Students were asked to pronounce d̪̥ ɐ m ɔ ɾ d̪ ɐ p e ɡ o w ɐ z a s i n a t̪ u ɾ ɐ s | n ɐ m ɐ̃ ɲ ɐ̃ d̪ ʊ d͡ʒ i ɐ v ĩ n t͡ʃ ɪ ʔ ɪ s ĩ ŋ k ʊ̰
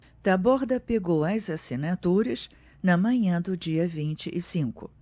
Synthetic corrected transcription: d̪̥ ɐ b ɔ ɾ d̪ ɐ p e ɡ o w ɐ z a s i n a t̪ u ɾ ɐ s | n ɐ m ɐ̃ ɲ ɐ̃ d̪ ʊ d͡ʒ i ɐ v ĩ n t͡ʃ ɪ ʔ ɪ s ĩ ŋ k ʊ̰